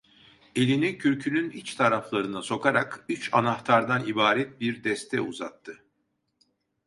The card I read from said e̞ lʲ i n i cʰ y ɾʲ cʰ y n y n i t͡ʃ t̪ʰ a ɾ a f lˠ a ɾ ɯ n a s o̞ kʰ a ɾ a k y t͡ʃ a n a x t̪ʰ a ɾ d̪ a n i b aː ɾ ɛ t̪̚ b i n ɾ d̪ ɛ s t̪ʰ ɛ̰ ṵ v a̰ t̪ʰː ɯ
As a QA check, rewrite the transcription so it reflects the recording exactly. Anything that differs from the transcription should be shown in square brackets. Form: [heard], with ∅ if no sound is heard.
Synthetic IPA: e̞ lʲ i n i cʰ y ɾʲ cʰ y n y n i t͡ʃ t̪ʰ a ɾ a f lˠ a ɾ ɯ n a s o̞ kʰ a ɾ a k y t͡ʃ a n a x t̪ʰ a ɾ d̪ a n i b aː ɾ ɛ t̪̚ b i [∅] ɾ d̪ ɛ s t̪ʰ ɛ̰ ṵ [z] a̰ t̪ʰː ɯ